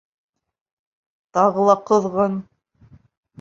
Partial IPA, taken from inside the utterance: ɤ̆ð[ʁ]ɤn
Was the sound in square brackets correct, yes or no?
yes